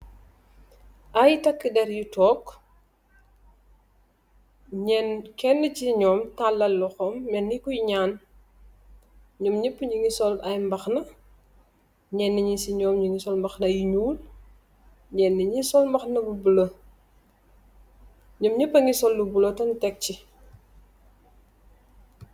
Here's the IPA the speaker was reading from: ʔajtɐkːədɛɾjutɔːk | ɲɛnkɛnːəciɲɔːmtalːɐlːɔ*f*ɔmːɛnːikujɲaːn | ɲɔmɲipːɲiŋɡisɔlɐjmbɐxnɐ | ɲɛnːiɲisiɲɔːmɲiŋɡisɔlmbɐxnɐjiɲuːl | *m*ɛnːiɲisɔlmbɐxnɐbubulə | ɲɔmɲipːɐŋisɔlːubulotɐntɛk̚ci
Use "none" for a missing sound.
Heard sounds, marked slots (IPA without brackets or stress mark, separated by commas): x, ɲ